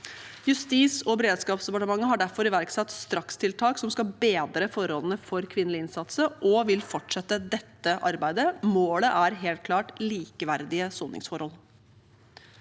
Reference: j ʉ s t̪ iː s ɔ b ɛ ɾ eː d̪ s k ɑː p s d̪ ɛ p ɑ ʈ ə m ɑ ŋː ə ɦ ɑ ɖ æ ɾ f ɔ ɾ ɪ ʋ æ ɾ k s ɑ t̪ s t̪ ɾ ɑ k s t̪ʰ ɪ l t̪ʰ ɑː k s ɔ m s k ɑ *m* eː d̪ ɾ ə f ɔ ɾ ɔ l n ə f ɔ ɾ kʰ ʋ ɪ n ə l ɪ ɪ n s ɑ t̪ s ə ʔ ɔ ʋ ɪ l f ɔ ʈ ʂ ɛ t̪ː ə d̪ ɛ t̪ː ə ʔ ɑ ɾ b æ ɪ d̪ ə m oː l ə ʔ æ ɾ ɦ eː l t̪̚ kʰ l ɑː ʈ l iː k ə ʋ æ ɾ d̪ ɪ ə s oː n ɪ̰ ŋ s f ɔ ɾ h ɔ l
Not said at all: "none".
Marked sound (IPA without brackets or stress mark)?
b